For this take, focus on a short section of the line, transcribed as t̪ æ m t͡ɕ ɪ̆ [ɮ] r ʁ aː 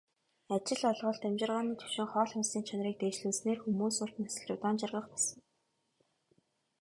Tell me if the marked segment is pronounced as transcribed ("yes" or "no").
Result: no